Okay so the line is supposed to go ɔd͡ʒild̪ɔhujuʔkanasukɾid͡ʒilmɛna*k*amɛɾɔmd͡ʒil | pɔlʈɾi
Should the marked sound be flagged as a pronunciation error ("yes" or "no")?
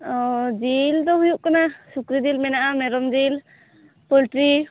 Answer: yes